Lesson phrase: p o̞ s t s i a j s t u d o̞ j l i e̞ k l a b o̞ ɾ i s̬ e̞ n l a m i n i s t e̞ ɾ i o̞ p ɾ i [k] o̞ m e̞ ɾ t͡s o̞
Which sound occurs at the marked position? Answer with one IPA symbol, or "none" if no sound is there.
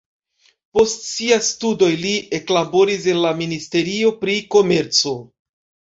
k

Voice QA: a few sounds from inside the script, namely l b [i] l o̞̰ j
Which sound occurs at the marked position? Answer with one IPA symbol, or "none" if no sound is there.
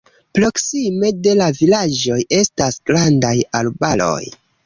a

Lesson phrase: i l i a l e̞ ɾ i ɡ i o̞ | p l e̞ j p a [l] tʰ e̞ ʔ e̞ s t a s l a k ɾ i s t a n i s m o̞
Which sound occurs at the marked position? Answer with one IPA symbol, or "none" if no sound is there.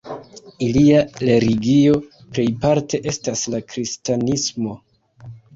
ɾ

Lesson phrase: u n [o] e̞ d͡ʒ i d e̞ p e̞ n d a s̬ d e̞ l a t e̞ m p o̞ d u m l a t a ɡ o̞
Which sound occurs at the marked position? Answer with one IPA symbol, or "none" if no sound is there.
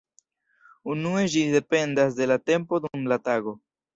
u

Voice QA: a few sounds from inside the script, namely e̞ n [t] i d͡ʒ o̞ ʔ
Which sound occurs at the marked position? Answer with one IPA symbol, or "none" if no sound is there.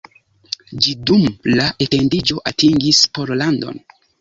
d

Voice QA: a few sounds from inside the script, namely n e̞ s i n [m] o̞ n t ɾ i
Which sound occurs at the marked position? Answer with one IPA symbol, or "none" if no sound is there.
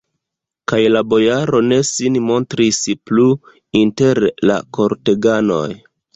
m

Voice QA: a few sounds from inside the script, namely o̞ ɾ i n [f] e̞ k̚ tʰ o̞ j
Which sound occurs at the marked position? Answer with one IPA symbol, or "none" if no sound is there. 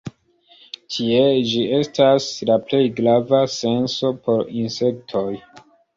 s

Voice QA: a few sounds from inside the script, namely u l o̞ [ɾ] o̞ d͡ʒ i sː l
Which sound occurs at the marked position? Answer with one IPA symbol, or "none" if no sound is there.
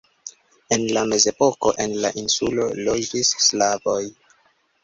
l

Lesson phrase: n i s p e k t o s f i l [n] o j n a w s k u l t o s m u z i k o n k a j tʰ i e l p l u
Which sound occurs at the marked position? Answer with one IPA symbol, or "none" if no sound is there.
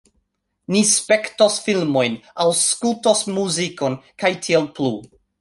m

